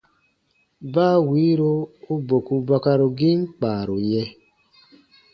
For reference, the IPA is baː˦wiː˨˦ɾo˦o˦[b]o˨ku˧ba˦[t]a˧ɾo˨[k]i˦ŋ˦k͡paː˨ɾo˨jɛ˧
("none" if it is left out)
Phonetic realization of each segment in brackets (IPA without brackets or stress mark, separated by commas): b, k, ɡ